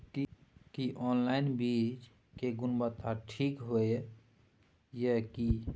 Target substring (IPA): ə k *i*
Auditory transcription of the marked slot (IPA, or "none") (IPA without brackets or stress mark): i